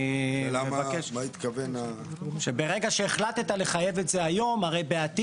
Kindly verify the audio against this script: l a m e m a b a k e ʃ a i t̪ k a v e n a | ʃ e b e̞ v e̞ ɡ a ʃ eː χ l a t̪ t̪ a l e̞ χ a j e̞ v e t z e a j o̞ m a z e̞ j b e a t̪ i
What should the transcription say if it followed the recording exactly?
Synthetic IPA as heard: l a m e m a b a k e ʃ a i t̪ k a v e n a | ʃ e b e̞ ʁ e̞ ɡ a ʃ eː χ l a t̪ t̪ a l e̞ χ a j e̞ v e t z e a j o̞ m a ʁ e̞ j b e a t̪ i